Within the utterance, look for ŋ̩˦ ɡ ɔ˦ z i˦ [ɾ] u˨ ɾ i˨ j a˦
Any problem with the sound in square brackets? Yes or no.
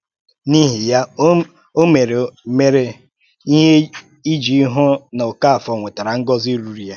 no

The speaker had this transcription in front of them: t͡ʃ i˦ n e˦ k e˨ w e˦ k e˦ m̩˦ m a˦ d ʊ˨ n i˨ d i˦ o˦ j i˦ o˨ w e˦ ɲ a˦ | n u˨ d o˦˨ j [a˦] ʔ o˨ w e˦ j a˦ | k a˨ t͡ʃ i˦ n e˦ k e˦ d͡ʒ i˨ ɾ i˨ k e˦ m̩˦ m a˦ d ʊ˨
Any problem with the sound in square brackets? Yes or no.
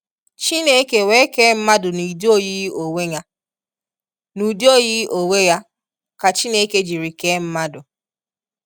yes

